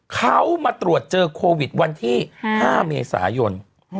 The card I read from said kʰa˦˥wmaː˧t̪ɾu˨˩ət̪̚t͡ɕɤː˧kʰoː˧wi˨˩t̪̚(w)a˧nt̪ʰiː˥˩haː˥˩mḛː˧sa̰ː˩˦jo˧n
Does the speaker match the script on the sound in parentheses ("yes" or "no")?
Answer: yes